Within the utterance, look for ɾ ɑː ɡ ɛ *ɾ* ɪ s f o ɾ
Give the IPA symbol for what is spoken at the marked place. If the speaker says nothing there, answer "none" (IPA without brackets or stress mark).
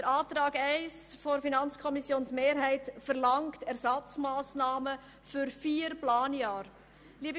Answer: none